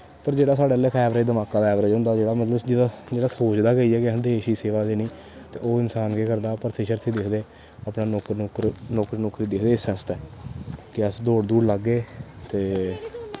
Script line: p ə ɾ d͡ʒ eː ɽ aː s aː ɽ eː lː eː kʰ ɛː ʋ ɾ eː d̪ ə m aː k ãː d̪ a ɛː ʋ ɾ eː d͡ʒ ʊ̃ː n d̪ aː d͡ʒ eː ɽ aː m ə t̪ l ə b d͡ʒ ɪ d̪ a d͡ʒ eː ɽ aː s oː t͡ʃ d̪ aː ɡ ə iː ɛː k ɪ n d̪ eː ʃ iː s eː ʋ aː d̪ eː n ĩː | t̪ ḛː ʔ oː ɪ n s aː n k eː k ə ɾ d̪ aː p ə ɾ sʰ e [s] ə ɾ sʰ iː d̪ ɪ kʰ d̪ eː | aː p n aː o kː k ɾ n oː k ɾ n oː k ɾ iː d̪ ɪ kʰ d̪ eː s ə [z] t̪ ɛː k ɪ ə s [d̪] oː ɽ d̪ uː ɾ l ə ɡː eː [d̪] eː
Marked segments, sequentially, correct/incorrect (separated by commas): incorrect, incorrect, correct, incorrect